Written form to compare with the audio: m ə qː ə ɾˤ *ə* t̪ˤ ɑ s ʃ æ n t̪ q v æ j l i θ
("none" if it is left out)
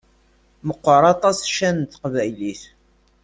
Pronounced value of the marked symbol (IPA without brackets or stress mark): ɑ